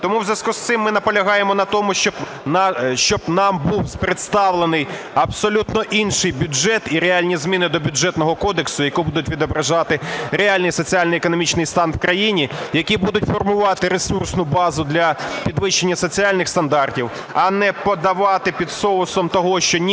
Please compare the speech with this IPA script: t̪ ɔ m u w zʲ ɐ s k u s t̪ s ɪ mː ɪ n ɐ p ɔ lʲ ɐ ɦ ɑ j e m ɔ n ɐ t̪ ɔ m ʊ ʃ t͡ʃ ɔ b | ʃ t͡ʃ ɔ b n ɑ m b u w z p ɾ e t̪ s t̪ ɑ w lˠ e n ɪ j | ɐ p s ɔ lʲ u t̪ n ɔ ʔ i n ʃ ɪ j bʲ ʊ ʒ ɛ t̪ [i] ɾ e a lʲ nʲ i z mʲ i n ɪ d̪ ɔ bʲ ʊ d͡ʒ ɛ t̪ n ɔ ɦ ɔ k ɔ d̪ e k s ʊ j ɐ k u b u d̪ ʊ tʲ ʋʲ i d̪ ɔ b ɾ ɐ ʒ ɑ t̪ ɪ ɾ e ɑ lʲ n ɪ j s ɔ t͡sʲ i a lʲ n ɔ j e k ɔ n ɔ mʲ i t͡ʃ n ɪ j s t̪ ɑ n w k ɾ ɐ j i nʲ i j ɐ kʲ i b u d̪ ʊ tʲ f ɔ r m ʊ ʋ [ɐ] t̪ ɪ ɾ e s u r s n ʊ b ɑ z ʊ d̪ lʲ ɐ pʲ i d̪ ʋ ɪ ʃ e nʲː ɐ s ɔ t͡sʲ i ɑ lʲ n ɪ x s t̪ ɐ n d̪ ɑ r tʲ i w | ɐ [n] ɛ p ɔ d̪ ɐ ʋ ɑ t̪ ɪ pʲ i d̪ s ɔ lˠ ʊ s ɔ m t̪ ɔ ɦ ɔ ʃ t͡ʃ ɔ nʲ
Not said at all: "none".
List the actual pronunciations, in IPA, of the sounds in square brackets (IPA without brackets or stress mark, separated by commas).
i, ɑ, n